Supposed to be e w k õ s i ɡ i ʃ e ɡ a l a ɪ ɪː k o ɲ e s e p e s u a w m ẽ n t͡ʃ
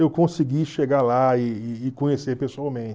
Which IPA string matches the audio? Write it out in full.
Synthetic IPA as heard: e w k õ s i ɡ i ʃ e ɡ a l a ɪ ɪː k õ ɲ e s e p e s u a w m ẽ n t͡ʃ

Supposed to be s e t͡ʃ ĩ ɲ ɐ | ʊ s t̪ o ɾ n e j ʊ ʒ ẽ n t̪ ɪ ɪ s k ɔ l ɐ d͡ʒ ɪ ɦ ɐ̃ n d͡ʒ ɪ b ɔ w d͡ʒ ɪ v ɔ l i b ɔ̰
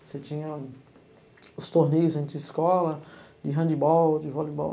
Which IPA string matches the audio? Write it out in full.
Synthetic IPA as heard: s e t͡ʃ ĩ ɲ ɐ | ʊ s t̪ o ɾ n e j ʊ z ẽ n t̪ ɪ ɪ s k ɔ l ɐ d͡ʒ ɪ ɦ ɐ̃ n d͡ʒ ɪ b ɔ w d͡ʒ ɪ v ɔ l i b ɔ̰

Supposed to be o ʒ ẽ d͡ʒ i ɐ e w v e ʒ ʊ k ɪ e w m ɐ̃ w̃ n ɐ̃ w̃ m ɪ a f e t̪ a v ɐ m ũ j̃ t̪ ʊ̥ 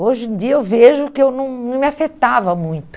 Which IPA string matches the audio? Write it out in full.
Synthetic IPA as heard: o ʒ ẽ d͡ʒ i ɐ e w v e ʒ ʊ k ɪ e w n ɐ̃ w̃ n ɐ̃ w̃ m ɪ a f e t̪ a v ɐ m ũ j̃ t̪ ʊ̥

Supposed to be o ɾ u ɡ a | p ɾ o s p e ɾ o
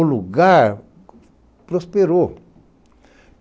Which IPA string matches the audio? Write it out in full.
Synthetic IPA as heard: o l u ɡ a | p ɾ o s p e ɾ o

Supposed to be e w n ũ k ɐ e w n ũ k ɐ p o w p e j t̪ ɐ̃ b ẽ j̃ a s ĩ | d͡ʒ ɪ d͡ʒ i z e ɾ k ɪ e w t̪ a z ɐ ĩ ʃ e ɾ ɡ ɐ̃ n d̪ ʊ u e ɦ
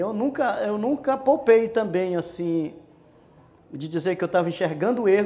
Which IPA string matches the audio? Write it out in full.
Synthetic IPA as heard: e w n ũ k ɐ e w n ũ k ɐ p o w p e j t̪ ɐ̃ b ẽ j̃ a s ĩ | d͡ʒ ɪ d͡ʒ i z e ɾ k ɪ e w t̪ a v ɐ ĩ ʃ e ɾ ɡ ɐ̃ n d̪ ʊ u e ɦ

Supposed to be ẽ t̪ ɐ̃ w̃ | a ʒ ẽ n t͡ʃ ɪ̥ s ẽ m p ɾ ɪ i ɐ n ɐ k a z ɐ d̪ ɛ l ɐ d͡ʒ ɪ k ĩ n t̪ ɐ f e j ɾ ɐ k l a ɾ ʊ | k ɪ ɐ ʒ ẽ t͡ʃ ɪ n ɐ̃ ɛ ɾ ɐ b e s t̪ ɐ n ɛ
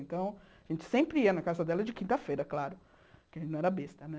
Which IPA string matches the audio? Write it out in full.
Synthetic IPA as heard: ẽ t̪ ɐ̃ w̃ | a ʒ ẽ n t͡ʃ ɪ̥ s ẽ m p ɾ ɪ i ɐ n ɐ k a z ɐ d̪ ɛ l ɐ d͡ʒ ɪ k ĩ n t̪ ɐ f e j ɾ ɐ k l a ɾ ʊ | k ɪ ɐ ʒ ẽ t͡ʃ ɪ n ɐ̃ ɛ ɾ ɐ b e s t̪ ɐ n ɛ

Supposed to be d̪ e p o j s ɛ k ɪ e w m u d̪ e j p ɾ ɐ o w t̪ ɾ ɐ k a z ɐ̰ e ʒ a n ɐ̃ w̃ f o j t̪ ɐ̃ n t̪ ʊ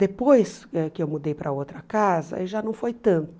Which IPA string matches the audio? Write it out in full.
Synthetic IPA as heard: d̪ e p o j s ɛ k ɪ e w m u d̪ e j p ɾ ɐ o w t̪ ɾ ɐ k a z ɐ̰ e ʒ a n ɐ̃ w̃ f o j t̪ ɐ̃ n t̪ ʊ

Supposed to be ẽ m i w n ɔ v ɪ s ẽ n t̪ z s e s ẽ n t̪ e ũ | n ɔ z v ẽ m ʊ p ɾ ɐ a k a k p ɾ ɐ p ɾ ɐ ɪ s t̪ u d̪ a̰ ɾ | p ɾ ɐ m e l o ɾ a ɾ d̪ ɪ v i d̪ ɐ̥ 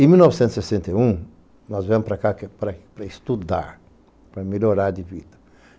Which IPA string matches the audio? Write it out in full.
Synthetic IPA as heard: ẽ m i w n ɔ v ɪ s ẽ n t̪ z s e s ẽ n t̪ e ũ | n ɔ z v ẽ m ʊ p ɾ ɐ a k a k p ɾ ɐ p ɾ ɐ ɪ s t̪ u d̪ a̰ ɾ | p ɾ ɐ m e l o ɾ a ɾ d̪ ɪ v i d̪ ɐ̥

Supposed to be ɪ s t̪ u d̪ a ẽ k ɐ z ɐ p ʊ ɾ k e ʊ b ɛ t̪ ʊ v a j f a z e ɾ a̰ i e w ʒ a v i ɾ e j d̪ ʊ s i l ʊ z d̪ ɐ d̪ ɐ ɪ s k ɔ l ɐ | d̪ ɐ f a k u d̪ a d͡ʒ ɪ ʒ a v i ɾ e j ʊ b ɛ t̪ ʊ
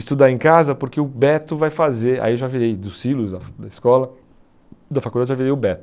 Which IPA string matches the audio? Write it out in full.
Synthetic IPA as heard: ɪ s t̪ u d̪ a ẽ k a z ɐ p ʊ ɾ k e ʊ b ɛ t̪ ʊ v a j f a z e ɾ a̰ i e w ʒ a v i ɾ e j d̪ ʊ s i l ʊ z d̪ ɐ d̪ ɐ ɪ s k ɔ l ɐ | d̪ ɐ f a k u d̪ a d͡ʒ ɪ ʒ a v i ɾ e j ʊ b ɛ t̪ ʊ

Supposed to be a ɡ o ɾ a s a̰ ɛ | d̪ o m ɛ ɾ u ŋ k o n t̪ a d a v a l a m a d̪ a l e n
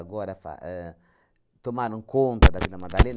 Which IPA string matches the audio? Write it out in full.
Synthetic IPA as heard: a ɡ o ɾ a f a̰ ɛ | t̪ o m a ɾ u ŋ k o n t̪ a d a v i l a m a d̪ a l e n

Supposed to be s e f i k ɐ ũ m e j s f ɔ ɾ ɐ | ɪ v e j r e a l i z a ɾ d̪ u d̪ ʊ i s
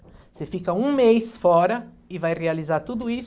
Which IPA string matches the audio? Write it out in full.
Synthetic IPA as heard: s e f i k ɐ ũ m e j s f ɔ ɾ ɐ | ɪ v a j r e a l i z a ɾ t̪ u d̪ ʊ i s

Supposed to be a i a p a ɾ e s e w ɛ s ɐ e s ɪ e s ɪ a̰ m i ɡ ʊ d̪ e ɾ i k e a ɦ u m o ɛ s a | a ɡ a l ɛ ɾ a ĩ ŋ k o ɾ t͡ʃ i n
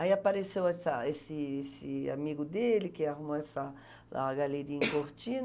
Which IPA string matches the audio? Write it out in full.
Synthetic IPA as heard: a i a p a ɾ e s e w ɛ s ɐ e s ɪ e s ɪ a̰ m i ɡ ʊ d̪ e l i k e a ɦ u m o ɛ s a | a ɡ a l e ɾ i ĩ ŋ k o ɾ t͡ʃ i n

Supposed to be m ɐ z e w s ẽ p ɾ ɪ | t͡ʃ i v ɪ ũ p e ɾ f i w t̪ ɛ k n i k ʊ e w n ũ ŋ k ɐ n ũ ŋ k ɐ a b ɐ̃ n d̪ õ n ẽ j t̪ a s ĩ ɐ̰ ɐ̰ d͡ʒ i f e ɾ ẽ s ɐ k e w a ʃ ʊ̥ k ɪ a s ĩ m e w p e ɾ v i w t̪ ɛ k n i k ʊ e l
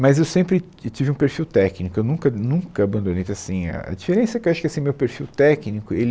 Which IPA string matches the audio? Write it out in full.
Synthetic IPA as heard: m ɐ z e w s ẽ p ɾ ɪ | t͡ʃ i v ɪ ũ p e ɾ f i w t̪ ɛ k n i k ʊ e w n ũ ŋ k ɐ n ũ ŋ k ɐ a b ɐ̃ n d̪ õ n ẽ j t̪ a s ĩ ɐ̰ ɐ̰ d͡ʒ i f e ɾ ẽ s ɐ k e w a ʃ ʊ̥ k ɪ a s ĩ m e w p e ɾ f i w t̪ ɛ k n i k ʊ e l

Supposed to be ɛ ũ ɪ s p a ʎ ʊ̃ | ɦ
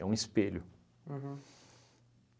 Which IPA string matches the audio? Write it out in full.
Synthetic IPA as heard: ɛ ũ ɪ s p e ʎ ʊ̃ | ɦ

